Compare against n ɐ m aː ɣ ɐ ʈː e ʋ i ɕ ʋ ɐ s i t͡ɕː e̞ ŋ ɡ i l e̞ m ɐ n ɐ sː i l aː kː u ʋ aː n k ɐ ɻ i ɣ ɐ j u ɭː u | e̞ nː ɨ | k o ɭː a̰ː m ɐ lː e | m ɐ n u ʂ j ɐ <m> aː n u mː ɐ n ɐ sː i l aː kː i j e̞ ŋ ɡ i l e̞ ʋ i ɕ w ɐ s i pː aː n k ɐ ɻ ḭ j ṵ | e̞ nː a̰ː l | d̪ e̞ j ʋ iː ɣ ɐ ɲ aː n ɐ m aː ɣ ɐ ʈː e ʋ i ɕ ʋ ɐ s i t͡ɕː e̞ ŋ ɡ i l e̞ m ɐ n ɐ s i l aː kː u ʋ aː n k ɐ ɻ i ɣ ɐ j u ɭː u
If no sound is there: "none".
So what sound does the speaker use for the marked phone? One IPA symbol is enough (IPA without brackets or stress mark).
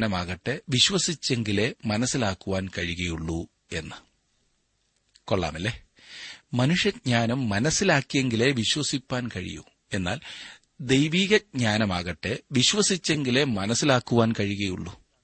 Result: ɲ